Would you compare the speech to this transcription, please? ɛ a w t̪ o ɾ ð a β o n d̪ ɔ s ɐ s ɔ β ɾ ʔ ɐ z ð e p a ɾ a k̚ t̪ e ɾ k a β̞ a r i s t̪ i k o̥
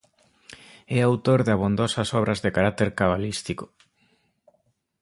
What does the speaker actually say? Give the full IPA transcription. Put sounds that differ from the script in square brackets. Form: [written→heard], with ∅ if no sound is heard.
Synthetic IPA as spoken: ɛ a w t̪ o ɾ ð a β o n d̪ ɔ s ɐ s ɔ β ɾ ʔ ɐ z ð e [p→k] a ɾ a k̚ t̪ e ɾ k a β̞ a [r→l] i s t̪ i k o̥